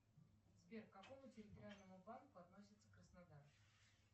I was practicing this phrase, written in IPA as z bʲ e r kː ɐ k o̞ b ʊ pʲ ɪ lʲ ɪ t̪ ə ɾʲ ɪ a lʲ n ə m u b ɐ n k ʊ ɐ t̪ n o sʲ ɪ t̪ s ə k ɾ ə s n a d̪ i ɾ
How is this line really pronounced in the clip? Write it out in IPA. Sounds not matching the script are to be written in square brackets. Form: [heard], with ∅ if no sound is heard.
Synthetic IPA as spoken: z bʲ e r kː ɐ k o̞ [m] ʊ [tʲ] ɪ [ɾʲ] ɪ t̪ ə ɾʲ ɪ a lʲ n ə m [ʊ] b [a] n k ʊ ɐ t̪ n o sʲ ɪ t̪ s ə k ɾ ə s n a d̪ [a] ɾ